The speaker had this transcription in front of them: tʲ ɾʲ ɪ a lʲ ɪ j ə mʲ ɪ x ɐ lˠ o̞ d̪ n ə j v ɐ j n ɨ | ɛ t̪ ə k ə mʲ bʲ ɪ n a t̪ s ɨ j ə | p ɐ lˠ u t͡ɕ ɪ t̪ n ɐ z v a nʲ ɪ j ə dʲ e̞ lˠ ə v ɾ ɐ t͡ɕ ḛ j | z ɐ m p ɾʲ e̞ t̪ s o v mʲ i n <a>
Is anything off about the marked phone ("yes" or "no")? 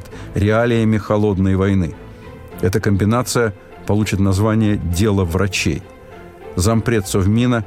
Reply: yes